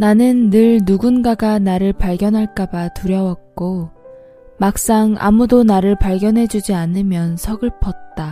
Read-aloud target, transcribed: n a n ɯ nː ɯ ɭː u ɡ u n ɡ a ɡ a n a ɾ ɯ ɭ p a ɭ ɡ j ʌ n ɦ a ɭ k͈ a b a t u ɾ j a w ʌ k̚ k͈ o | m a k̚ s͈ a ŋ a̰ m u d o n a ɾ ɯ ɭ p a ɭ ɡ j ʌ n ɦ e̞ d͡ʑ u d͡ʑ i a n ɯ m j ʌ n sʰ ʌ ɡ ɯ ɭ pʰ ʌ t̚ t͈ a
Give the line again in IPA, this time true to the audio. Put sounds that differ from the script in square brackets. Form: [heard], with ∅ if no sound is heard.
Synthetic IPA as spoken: n a n ɯ nː ɯ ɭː u ɡ u n ɡ a ɡ a n a ɾ ɯ ɭ p a ɭ ɡ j ʌ n ɦ a ɭ k͈ a b a t u ɾ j [ʌ] w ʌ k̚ k͈ o | m a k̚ s͈ a ŋ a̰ m u d o n a ɾ ɯ ɭ p a ɭ ɡ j ʌ n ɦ e̞ d͡ʑ u d͡ʑ i a n ɯ m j ʌ n sʰ ʌ ɡ ɯ ɭ pʰ ʌ t̚ t͈ a